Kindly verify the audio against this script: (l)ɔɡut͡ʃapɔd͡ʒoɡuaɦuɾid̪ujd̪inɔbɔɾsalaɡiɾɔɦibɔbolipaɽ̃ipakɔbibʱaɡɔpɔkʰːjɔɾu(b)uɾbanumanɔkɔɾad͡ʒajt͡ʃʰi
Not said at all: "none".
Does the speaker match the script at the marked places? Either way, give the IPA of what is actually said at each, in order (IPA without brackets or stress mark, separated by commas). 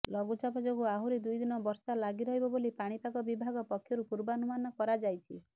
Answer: l, p